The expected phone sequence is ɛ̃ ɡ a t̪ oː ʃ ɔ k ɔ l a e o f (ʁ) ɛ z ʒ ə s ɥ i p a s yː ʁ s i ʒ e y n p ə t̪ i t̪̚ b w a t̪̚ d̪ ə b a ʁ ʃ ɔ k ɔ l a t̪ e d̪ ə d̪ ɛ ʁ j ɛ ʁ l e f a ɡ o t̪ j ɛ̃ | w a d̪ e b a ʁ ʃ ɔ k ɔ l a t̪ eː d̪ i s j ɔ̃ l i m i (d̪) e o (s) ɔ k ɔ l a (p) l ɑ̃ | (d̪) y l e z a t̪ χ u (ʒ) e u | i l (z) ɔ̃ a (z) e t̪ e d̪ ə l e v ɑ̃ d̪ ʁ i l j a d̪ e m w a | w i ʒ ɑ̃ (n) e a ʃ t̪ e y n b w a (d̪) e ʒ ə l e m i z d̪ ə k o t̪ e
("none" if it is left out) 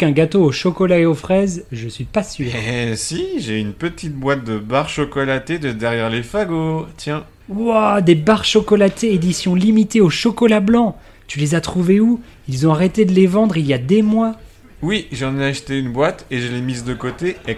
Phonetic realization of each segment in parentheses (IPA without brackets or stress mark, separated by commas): χ, t̪, ʃ, b, t̪, v, z, ʁ, n, t̪